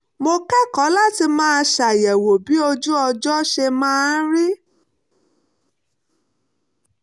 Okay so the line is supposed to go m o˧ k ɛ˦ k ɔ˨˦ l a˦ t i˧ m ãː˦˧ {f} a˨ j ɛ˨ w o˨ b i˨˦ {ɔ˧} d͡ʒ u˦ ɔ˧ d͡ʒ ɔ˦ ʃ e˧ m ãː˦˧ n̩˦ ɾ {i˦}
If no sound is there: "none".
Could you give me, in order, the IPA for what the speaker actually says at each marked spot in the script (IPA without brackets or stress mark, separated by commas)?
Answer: ʃ, o˧, i˦